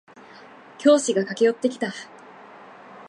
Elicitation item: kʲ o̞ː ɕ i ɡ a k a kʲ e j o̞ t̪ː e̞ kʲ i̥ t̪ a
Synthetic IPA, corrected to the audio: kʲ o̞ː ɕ i ɡ a k a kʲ e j o̞ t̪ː e̞ kʲ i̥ t̪ a